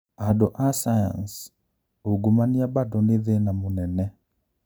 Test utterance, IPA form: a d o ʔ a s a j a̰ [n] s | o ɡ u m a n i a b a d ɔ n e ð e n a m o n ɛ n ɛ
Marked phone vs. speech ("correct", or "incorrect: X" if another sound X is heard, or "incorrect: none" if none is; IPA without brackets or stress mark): correct